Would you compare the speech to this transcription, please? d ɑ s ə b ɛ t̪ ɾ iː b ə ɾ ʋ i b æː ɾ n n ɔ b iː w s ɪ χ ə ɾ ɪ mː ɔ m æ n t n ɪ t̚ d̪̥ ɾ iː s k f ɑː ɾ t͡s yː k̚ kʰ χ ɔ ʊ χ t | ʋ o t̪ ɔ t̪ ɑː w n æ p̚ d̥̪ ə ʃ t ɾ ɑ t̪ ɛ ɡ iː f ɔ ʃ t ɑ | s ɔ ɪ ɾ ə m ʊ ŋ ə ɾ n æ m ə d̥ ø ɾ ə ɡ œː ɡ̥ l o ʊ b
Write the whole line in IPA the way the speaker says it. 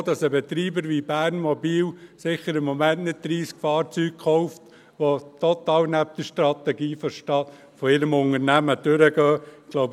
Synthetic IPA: d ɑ s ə b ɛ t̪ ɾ iː b ə ɾ ʋ i b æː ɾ n m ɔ b iː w s ɪ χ ə ɾ ɪ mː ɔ m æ n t n ɪ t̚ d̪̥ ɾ iː s k f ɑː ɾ t͡s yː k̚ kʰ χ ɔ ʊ f t | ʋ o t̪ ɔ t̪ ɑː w n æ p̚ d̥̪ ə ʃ t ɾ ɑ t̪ ɛ ɡ iː f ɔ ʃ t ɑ | f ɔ ɪ ɾ ə m ʊ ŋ ə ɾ n æ m ə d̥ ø ɾ ə ɡ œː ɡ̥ l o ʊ b

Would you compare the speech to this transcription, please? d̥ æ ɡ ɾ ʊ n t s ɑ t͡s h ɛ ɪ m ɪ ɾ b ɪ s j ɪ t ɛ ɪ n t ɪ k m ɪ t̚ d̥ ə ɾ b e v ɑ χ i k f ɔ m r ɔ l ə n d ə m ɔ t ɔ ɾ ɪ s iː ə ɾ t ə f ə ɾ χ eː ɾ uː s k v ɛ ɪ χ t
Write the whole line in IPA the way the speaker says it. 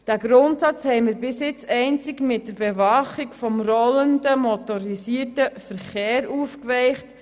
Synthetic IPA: d̥ æ ɡ ɾ ʊ n t s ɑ t͡s h ɛ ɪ m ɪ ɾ b ɪ s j ɪ t͡s ɛ ɪ n t͡s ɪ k m ɪ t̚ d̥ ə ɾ b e v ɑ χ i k f ɔ m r ɔ l ə n d ə m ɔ t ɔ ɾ i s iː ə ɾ t ə f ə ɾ χ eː ɾ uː f k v ɛ ɪ χ t

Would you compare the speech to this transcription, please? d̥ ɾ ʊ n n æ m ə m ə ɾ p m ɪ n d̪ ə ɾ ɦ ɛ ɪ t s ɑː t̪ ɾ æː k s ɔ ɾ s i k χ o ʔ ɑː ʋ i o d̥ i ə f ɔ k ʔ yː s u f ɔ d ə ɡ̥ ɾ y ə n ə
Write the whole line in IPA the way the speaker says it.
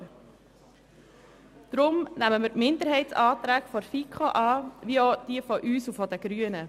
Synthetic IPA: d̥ ɾ ʊ m n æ m ə m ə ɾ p m ɪ n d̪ ə ɾ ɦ ɛ ɪ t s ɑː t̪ ɾ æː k f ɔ ɾ f i k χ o ʔ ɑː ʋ i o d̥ i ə f ɔ ʔ yː s u f ɔ d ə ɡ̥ ɾ y ə n ə

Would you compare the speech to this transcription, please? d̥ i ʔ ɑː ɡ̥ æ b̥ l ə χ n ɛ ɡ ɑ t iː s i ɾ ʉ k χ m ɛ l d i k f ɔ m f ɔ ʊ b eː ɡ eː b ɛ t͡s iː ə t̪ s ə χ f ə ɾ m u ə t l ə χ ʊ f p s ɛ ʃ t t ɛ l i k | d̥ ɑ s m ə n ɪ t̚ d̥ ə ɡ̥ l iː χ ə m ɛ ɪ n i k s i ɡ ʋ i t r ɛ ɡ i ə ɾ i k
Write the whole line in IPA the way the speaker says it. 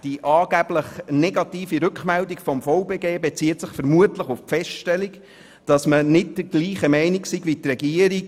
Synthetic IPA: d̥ i ʔ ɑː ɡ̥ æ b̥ l ə χ n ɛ ɡ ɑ t iː f i ɾ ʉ k χ m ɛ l d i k f ɔ m f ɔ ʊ b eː ɡ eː b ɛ t͡s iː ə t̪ s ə χ f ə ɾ m u ə t l ə χ ʊ f p f ɛ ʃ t t ɛ l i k | d̥ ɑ s m ə n ɪ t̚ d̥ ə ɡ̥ l iː χ ə m ɛ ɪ n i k s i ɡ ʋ i t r ɛ ɡ i ə ɾ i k

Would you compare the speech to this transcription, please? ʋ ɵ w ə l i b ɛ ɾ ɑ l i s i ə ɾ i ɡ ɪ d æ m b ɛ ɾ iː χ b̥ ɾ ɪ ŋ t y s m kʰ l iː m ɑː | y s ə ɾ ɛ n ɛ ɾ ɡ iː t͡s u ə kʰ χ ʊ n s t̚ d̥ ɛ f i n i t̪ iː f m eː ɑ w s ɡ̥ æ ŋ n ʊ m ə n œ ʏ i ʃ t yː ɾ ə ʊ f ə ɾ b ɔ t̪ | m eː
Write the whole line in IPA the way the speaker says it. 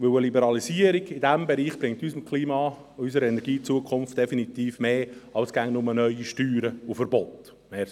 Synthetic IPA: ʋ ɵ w ə l i b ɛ ɾ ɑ l i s i ə ɾ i ɡ ɪ d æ m b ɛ ɾ iː χ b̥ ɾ ɪ ŋ t y s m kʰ l iː m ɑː | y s ə ɾ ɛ n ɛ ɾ ɡ iː t͡s u ə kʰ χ ʊ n f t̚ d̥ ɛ f i n i t̪ iː f m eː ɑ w s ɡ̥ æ ŋ n ʊ m ə n œ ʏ i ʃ t yː ɾ ə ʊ f ə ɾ b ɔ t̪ | m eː

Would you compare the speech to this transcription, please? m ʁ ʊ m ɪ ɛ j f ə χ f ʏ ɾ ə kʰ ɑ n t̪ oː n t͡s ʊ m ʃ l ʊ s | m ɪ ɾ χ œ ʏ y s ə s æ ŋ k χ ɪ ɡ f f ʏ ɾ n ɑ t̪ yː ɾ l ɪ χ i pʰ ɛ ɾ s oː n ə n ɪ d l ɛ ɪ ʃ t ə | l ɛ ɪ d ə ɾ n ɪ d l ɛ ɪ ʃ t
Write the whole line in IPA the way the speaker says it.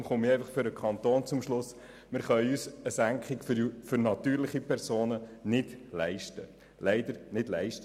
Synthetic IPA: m χ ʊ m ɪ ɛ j f ɑ χ f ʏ ɾ ə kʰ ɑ n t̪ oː n t͡s ʊ m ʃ l ʊ s | m ɪ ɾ χ œ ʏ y s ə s æ ŋ k χ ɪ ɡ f f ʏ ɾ n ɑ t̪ yː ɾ l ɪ χ i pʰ ɛ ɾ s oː n ə n ɪ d l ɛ ɪ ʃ t ə | l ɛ ɪ d ə ɾ n ɪ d l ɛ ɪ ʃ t

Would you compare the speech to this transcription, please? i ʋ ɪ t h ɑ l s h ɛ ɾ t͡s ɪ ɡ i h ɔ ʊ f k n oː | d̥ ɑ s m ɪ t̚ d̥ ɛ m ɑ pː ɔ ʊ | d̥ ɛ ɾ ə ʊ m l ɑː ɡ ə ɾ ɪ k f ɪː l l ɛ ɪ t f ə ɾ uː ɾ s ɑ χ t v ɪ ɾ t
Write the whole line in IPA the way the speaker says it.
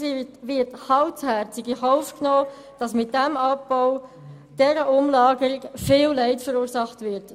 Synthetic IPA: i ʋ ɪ t h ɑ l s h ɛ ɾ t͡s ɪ ɡ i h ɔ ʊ f k n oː | d̥ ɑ s m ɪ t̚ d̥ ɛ m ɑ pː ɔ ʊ | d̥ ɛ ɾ ə ʊ m l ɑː ɡ ə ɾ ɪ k f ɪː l l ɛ ɪ t f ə ɾ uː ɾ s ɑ χ t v ɪ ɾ t

